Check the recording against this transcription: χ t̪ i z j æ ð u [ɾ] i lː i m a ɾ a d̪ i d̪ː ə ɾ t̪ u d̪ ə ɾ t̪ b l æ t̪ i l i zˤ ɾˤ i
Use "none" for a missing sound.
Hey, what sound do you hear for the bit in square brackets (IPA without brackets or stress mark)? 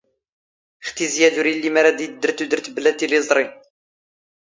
ɾ